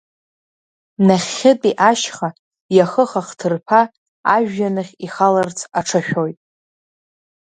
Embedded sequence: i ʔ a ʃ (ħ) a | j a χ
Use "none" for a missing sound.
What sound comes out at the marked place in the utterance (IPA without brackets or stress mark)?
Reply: χ